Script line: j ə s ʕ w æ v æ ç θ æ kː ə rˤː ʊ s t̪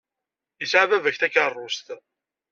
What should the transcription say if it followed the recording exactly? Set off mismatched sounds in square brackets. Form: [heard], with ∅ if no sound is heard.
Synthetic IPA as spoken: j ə s ʕ [v] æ v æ ç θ æ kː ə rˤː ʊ s t̪